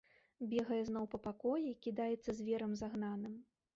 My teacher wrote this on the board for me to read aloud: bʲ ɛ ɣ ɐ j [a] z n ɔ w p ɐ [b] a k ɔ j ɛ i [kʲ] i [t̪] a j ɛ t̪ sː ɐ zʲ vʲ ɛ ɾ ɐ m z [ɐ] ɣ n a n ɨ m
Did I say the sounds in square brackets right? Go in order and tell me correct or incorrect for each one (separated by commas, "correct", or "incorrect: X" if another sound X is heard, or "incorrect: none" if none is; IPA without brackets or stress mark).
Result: incorrect: ɛ, incorrect: p, correct, incorrect: d̪, incorrect: a